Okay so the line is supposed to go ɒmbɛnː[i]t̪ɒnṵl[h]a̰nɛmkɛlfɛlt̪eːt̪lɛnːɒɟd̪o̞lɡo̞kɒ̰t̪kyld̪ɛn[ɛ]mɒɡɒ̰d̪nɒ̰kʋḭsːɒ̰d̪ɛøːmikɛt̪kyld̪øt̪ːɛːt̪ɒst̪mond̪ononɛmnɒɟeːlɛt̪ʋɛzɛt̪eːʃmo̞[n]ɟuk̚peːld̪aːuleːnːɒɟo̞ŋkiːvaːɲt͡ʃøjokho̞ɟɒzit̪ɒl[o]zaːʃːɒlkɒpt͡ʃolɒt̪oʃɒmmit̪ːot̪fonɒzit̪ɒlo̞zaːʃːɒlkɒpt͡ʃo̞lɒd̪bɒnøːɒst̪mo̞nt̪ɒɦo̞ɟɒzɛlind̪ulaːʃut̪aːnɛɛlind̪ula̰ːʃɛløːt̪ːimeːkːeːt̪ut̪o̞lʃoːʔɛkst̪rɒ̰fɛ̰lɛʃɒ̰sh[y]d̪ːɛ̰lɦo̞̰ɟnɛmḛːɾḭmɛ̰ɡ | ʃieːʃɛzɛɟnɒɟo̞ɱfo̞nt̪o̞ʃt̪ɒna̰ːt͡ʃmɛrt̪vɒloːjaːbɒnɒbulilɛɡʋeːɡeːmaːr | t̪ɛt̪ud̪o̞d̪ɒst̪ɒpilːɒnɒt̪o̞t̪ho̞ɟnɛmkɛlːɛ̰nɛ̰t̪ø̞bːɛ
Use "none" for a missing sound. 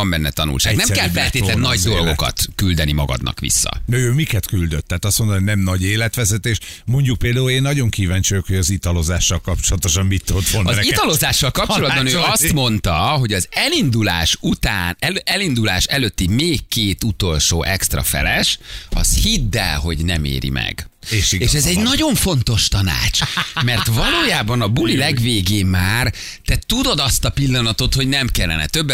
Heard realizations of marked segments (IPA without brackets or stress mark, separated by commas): ɛ, ʃ, i, ɲ, o, i